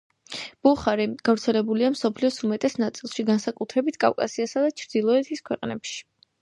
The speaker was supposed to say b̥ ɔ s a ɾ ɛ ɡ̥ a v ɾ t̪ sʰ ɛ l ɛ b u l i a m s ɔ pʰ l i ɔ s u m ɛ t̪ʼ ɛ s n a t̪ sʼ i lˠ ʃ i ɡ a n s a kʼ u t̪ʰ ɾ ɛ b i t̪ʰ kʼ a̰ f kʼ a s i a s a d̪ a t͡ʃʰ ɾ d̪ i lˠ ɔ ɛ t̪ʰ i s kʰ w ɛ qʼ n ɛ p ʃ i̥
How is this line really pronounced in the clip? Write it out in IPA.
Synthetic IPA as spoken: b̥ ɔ χ a ɾ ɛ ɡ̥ a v ɾ t̪ sʰ ɛ l ɛ b u l i a m s ɔ pʰ l i ɔ s u m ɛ t̪ʼ ɛ s n a t̪ sʼ i lˠ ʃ i ɡ a n s a kʼ u t̪ʰ ɾ ɛ b i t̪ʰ kʼ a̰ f kʼ a s i a s a d̪ a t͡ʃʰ ɾ d̪ i lˠ ɔ ɛ t̪ʰ i s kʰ w ɛ qʼ n ɛ p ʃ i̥

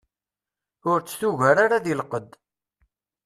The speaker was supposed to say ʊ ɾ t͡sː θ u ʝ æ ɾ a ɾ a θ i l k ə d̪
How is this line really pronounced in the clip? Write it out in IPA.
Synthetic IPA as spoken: ʊ ɾ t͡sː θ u ʝ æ ɾ a ɾ a ð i l q ə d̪

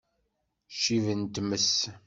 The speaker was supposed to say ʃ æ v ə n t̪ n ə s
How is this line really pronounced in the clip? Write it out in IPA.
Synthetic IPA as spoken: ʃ i v ə n t̪ m ə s

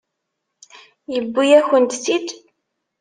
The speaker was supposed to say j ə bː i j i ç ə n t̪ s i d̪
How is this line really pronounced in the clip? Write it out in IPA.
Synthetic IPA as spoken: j ə bː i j æ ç ə n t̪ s i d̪

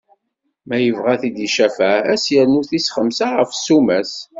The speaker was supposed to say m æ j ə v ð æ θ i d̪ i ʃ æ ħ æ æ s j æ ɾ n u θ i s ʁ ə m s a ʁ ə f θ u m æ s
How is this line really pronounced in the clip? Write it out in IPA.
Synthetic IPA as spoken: m æ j ə v ʁ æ θ i d̪ i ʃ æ f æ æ s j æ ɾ n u θ i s χ ə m s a ʁ ə f s u m æ s

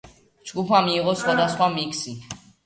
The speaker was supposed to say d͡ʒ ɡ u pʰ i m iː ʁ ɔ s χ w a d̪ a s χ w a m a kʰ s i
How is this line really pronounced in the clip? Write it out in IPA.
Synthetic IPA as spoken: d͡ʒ ɡ u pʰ a m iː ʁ ɔ s χ w a d̪ a s χ w a m i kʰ s i

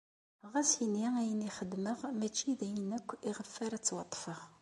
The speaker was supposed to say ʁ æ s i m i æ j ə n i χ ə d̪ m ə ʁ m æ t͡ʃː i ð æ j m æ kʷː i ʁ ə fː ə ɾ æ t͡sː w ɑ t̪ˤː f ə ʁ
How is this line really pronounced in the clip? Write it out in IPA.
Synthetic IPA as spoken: ʁ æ s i n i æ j ə n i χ ə d̪ m ə ʁ m æ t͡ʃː i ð æ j n æ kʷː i ʁ ə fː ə ɾ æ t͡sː w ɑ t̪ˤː f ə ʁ

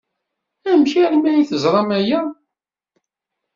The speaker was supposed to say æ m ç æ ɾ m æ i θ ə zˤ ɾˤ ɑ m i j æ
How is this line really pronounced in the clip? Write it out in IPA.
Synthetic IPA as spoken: æ m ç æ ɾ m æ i θ ə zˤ ɾˤ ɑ m æ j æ

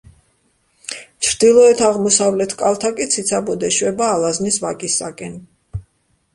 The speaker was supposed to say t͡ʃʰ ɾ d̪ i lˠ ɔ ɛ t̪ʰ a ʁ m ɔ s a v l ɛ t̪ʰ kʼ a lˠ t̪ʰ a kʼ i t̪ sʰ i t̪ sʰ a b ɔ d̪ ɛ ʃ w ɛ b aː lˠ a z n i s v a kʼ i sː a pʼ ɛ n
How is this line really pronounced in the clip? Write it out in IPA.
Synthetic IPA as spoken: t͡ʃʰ ɾ d̪ i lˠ ɔ ɛ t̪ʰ a ʁ m ɔ s a v l ɛ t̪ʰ kʼ a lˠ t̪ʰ a kʼ i t̪ sʰ i t̪ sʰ a b ɔ d̪ ɛ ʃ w ɛ b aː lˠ a z n i s v a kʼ i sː a kʼ ɛ n

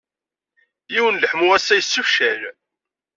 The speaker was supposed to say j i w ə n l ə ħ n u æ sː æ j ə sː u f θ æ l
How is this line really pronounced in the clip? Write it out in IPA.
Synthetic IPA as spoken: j i w ə n l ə ħ m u æ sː æ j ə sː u f ʃ æ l

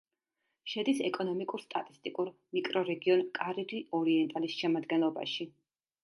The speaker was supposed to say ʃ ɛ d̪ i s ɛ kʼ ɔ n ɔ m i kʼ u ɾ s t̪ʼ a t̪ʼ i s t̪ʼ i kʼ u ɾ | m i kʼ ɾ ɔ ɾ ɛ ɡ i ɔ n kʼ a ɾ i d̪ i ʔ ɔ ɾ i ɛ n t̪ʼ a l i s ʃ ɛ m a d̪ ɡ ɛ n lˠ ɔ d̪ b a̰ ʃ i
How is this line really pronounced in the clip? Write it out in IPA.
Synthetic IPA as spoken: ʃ ɛ d̪ i s ɛ kʼ ɔ n ɔ m i kʼ u ɾ s t̪ʼ a t̪ʼ i s t̪ʼ i kʼ u ɾ | m i kʼ ɾ ɔ ɾ ɛ ɡ i ɔ n kʼ a ɾ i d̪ i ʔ ɔ ɾ i ɛ n t̪ʼ a l i s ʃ ɛ m a d̪ ɡ ɛ n lˠ ɔ b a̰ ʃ i

